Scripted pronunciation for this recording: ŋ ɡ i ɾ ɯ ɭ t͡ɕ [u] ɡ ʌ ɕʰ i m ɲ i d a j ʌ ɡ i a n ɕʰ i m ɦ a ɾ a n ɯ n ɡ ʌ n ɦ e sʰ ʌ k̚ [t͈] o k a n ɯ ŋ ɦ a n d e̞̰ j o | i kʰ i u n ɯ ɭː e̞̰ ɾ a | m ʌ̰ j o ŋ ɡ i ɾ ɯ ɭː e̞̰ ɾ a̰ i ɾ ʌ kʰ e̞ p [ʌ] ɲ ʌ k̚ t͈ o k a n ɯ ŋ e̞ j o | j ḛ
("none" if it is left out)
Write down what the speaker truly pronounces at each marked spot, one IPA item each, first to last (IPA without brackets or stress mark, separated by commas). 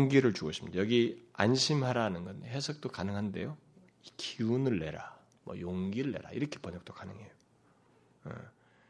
u, t͈, ʌ